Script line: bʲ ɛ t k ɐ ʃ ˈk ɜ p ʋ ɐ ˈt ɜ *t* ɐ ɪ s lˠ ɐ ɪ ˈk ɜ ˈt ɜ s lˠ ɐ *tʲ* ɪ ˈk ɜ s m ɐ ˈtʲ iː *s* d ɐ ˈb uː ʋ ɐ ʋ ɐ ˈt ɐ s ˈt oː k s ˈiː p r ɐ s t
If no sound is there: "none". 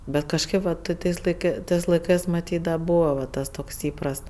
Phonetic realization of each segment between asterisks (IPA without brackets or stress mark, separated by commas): t, none, t